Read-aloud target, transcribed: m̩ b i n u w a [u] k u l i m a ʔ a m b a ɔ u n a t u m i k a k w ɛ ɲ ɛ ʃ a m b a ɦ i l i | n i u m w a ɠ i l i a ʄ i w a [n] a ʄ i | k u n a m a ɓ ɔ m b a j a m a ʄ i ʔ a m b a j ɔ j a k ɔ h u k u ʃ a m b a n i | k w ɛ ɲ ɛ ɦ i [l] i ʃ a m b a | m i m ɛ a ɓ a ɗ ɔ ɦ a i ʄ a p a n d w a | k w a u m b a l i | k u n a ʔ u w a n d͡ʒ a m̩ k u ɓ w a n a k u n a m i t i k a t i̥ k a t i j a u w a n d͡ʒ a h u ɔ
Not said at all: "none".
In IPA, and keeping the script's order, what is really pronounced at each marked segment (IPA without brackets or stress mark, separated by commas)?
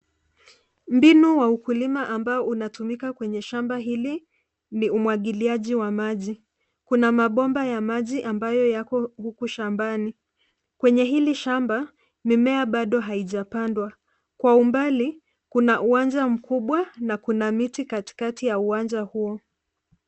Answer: u, m, l